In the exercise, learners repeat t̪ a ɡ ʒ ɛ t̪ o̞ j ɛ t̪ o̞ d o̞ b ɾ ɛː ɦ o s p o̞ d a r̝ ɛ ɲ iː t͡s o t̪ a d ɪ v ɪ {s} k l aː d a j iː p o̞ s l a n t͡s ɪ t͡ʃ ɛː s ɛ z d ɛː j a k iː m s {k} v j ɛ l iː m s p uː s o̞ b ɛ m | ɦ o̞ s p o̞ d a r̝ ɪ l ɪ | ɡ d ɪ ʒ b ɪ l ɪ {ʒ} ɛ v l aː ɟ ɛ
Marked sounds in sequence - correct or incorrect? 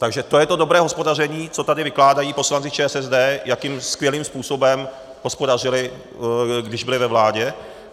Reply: incorrect: none, correct, incorrect: v

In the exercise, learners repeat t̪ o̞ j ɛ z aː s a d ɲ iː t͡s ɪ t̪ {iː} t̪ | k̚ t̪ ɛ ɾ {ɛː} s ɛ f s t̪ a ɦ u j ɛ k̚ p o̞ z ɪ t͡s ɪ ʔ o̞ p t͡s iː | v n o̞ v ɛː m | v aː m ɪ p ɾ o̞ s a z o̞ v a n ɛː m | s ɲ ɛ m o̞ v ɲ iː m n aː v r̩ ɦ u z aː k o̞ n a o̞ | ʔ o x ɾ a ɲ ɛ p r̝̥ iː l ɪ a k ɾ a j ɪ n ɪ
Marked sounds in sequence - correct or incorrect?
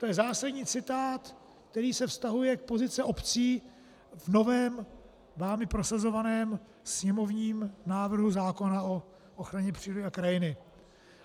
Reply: incorrect: aː, incorrect: iː

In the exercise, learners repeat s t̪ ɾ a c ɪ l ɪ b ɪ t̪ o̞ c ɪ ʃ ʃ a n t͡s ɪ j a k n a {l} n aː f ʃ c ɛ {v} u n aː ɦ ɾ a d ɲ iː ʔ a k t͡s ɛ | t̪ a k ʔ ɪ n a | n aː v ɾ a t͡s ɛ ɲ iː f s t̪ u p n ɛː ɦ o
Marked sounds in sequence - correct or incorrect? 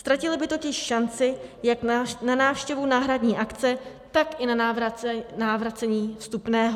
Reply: incorrect: none, correct

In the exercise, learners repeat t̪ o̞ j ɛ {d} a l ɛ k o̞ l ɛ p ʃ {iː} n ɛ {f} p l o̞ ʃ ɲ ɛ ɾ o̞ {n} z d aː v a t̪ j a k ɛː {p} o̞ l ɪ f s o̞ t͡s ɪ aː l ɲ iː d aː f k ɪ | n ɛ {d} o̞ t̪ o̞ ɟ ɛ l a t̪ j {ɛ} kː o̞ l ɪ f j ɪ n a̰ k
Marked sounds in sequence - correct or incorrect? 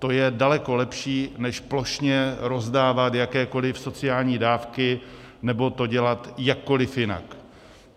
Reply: correct, correct, incorrect: ʃ, incorrect: none, incorrect: k, incorrect: b, incorrect: a

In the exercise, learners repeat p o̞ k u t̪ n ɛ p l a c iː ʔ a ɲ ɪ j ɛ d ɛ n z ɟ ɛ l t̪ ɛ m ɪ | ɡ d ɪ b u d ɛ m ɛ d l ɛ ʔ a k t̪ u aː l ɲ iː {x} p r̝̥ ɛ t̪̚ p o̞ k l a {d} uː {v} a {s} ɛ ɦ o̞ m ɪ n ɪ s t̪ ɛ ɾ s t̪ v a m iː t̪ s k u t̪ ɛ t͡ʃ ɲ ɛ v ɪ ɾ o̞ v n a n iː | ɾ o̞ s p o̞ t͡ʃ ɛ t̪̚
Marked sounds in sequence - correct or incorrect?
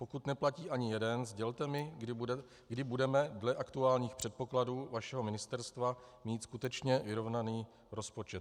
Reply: correct, correct, correct, incorrect: ʃ

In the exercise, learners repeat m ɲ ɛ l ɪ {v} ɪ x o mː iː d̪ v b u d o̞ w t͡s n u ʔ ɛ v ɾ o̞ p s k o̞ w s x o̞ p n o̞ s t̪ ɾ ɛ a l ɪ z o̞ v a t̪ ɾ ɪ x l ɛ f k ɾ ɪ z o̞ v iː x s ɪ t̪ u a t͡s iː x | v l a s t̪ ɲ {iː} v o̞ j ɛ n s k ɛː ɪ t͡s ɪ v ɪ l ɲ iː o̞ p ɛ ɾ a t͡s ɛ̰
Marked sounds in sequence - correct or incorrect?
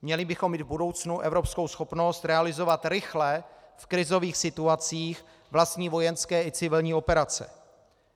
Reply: incorrect: b, correct

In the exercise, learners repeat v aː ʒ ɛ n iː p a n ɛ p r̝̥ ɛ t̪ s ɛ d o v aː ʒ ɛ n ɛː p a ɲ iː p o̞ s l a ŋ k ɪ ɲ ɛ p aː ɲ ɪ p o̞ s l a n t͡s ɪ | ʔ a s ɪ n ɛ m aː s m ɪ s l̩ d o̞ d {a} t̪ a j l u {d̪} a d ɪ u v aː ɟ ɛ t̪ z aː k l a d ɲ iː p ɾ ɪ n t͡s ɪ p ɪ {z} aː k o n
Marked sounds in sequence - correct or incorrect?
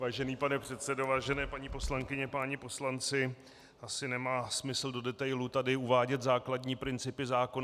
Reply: incorrect: ɛ, incorrect: t̪, correct

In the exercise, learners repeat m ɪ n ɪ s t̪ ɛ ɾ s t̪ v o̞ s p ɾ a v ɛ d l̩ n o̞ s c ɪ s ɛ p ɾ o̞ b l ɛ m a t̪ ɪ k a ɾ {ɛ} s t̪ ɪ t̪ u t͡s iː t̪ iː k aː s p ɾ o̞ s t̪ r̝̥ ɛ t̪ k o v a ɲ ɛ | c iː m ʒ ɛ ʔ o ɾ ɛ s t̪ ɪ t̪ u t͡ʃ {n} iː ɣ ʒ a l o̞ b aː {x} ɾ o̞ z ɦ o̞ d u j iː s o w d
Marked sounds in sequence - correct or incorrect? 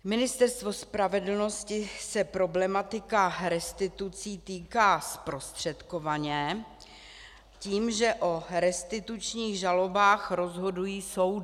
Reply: correct, incorrect: ɲ, correct

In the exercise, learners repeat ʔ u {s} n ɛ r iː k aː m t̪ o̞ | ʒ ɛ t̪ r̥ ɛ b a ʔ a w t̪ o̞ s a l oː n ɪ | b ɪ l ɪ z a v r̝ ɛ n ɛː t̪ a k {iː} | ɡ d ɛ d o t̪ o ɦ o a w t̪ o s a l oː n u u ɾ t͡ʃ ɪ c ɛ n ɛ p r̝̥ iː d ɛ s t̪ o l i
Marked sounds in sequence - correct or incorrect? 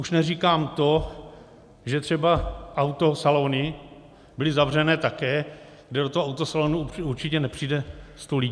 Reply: incorrect: ʃ, incorrect: ɛː

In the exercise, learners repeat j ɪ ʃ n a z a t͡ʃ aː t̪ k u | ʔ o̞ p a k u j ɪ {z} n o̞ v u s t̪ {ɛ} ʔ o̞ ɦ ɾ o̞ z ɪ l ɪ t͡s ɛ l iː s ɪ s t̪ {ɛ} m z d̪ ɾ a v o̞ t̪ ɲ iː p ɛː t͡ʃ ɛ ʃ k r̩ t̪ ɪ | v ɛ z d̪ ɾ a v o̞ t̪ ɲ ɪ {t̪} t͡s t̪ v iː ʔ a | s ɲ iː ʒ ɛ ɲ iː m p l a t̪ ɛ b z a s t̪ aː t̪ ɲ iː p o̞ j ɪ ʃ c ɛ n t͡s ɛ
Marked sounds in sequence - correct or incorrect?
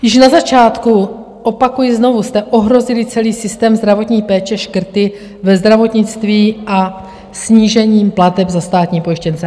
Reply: correct, correct, incorrect: ɛː, incorrect: none

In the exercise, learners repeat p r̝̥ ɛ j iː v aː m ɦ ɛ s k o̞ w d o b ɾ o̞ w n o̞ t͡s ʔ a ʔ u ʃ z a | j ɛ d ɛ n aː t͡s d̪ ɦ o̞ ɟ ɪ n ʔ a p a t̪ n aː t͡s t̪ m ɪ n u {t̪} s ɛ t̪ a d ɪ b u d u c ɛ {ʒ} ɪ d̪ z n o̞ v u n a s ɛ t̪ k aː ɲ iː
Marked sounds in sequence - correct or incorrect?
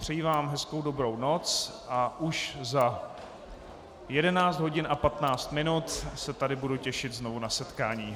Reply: correct, incorrect: ʃ

